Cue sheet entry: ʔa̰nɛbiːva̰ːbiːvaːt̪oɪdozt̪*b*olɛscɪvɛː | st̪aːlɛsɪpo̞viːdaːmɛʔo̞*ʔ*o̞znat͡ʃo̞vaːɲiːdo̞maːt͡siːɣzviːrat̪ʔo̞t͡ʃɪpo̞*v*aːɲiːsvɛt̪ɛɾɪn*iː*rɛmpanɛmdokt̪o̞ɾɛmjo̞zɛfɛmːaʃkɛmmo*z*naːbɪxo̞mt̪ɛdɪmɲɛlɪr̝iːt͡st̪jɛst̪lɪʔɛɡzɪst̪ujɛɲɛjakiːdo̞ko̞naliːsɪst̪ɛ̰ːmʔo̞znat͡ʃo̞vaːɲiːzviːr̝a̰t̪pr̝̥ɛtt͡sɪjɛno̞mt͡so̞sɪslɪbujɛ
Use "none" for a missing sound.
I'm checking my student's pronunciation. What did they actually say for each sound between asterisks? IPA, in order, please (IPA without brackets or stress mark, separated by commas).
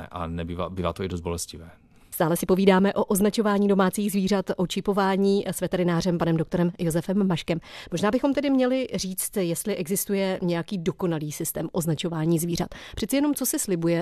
b, ʔ, v, aː, ʒ